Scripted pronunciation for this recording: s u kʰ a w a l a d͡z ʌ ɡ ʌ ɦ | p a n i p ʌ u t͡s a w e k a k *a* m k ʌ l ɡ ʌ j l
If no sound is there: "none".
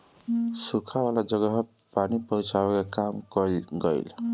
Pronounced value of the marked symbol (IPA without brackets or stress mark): a